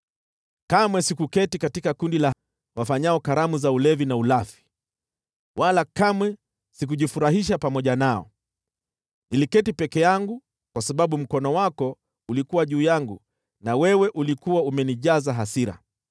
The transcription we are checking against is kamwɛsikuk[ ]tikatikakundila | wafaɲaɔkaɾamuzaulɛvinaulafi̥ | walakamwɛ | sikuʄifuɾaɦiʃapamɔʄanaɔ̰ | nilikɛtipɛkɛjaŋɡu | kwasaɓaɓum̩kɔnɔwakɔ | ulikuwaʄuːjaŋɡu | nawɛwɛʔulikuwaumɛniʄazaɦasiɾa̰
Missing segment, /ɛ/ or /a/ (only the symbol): ɛ